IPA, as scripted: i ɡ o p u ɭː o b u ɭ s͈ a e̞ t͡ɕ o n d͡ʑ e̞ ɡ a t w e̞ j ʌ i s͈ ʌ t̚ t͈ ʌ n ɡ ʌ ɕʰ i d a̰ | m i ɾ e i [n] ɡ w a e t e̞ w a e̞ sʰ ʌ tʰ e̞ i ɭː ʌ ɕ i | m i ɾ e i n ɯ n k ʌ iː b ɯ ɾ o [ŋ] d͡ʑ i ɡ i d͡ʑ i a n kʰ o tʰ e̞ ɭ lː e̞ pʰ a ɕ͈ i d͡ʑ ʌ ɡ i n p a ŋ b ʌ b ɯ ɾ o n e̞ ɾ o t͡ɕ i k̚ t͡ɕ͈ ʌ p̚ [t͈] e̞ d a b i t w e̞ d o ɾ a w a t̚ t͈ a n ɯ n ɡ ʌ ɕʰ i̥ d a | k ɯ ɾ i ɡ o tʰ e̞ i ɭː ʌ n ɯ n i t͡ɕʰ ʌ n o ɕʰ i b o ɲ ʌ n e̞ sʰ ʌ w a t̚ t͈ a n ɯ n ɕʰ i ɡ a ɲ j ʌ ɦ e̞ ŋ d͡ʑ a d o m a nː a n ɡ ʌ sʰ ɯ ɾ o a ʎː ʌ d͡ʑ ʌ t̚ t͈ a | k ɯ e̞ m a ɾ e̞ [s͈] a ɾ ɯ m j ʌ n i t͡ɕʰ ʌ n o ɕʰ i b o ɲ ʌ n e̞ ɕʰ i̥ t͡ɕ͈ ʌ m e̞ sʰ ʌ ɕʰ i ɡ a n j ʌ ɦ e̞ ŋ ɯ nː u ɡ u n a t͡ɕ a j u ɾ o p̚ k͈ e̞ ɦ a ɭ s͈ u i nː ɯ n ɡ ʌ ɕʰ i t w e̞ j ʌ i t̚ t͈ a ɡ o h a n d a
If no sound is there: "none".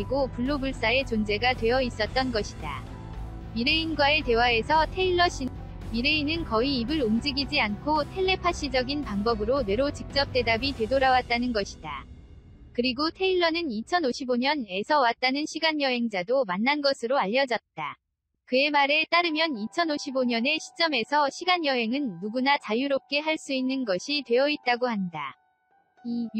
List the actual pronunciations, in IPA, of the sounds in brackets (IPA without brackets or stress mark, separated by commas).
n, m, t͈, t͈